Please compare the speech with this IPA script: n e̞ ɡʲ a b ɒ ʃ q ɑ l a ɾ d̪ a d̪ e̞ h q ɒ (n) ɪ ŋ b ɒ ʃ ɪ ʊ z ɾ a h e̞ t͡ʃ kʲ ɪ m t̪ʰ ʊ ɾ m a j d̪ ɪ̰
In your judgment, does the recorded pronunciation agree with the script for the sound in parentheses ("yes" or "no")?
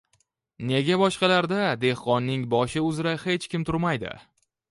no